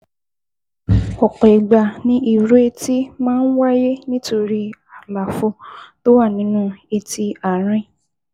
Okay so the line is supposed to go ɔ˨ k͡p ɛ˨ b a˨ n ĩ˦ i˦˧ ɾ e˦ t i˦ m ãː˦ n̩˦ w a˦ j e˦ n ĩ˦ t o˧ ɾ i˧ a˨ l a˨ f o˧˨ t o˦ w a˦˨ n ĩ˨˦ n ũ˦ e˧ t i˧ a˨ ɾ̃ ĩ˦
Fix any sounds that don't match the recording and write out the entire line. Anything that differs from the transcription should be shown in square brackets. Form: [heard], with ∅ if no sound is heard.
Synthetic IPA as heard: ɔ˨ k͡p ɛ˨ [ɡ͡b] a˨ n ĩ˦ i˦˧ ɾ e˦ t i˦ m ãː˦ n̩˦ w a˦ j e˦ n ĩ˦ t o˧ ɾ i˧ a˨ l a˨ f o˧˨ t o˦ w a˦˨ n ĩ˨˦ n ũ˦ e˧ t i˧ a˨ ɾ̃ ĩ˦